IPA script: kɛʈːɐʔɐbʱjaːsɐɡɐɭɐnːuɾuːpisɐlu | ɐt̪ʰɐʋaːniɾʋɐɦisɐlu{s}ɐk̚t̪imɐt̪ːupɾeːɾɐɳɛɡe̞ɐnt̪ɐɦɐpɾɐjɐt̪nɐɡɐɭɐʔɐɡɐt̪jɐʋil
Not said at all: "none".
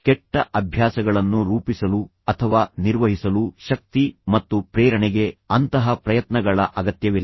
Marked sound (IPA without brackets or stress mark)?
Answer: ʃ